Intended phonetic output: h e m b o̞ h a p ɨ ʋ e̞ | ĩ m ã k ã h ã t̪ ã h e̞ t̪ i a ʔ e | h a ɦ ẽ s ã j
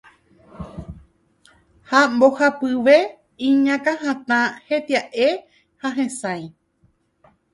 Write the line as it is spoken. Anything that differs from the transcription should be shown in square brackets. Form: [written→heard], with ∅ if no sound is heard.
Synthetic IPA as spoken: h [e→a] m b o̞ h a p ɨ ʋ e̞ | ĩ [m→ɲ] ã k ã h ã t̪ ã h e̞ t̪ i a ʔ e | h a ɦ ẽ s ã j